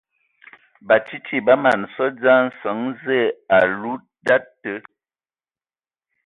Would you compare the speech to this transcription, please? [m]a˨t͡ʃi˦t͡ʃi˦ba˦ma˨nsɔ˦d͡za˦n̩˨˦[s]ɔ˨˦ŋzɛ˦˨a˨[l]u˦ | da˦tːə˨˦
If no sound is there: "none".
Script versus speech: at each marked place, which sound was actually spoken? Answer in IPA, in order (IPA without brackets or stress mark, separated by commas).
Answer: b, s, l